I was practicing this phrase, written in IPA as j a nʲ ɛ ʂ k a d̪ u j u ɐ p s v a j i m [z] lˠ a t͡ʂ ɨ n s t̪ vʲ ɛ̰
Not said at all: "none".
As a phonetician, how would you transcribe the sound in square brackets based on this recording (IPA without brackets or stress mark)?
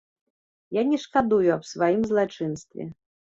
z